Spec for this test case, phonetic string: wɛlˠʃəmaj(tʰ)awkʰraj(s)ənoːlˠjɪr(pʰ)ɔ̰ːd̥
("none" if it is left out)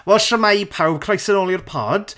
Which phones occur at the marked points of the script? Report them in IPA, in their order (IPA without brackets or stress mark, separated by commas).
pʰ, s, pʰ